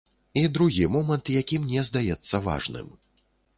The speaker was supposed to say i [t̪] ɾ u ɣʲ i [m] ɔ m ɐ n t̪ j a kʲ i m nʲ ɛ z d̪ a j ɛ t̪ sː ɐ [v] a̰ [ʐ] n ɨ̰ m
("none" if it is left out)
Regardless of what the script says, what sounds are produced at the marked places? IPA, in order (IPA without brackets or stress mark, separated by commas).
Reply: d̪, m, v, ʐ